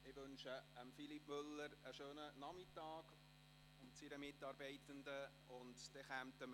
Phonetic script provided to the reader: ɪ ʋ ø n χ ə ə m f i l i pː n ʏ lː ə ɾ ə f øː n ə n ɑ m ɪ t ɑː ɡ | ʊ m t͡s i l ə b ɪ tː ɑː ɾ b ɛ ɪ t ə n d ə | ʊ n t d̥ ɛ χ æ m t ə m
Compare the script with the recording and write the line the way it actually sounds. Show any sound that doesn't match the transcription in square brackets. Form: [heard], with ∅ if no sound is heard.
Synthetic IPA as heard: ɪ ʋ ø n [ʃ] ə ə m f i l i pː [m] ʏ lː ə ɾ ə [ʃ] øː n ə n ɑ m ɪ t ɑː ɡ | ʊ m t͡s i [ɾ] ə [m] ɪ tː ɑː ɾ b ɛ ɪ t ə n d ə | ʊ n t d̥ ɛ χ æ m t ə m

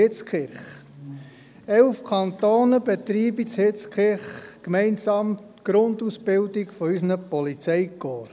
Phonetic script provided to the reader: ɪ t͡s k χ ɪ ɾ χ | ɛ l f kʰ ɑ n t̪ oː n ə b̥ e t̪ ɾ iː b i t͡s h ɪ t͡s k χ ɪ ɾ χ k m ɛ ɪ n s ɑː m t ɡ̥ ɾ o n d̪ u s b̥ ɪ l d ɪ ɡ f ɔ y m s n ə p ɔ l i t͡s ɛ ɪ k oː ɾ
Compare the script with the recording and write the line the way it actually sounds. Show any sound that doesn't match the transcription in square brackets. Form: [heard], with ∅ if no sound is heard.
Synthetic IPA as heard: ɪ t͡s k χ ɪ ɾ χ | ɛ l f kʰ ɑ n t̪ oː n ə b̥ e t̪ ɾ iː b i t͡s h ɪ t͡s k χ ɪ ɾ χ k m ɛ ɪ n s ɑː m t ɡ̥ ɾ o n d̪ u s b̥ ɪ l d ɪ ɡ f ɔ y [∅] s n ə p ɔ l i t͡s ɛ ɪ k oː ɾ

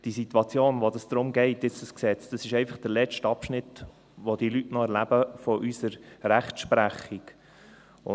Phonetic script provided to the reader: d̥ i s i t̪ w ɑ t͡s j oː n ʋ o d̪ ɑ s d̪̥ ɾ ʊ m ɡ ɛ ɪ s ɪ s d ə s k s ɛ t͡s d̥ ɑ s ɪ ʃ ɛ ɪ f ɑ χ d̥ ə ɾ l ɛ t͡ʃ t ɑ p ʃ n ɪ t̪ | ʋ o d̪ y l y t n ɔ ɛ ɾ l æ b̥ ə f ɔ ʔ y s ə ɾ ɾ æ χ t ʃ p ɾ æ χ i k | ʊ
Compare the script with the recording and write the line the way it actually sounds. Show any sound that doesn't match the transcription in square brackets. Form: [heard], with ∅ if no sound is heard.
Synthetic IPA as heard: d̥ i s i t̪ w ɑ t͡s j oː n ʋ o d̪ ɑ s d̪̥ ɾ ʊ m ɡ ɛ ɪ [t] ɪ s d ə s k s ɛ t͡s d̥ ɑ s ɪ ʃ ɛ ɪ f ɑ χ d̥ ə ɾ l ɛ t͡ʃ t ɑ p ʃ n ɪ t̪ | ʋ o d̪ [i] l y t n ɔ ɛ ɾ l æ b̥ ə f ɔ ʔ y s ə ɾ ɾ æ χ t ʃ p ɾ æ χ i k | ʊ

